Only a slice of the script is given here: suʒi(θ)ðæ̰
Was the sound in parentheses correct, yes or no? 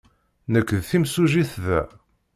yes